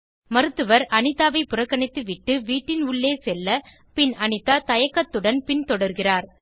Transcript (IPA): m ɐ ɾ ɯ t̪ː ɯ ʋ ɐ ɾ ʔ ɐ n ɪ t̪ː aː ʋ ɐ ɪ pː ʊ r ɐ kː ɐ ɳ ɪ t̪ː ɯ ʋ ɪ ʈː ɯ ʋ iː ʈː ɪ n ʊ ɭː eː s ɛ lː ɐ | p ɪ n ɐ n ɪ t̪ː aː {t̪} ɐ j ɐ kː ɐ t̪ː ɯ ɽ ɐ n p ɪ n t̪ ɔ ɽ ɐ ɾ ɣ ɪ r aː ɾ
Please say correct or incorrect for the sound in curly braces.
correct